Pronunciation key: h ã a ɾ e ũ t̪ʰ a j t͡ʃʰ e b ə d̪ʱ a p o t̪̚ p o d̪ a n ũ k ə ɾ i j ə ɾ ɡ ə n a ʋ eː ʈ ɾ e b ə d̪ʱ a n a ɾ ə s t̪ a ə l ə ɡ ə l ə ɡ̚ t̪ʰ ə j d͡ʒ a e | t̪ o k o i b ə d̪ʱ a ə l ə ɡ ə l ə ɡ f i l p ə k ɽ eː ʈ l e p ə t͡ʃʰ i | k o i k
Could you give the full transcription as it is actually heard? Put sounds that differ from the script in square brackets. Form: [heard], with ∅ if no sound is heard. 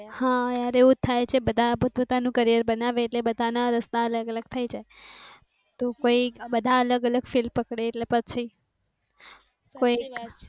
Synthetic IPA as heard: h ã a ɾ e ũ t̪ʰ a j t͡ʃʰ e b ə d̪ʱ a p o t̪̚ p o [t̪] a n ũ k ə ɾ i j ə ɾ [b] ə n a ʋ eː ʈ [l] e b ə d̪ʱ a n a ɾ ə s t̪ a ə l ə ɡ ə l ə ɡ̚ t̪ʰ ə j d͡ʒ a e | t̪ o k o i b ə d̪ʱ a ə l ə ɡ ə l ə ɡ f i l p ə k ɽ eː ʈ l e p ə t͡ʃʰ i | k o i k